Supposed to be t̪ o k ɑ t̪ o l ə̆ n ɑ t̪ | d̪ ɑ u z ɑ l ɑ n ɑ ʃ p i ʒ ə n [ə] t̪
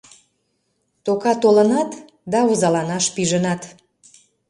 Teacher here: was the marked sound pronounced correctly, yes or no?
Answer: no